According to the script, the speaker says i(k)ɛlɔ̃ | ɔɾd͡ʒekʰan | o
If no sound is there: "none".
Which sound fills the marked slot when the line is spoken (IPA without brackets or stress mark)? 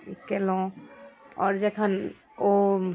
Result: k